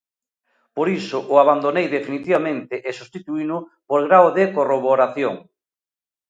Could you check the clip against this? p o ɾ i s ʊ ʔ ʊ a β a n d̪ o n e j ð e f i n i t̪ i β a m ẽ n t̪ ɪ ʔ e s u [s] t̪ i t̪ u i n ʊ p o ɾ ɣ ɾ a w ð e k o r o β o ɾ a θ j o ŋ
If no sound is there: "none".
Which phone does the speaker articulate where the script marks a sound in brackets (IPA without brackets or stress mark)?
s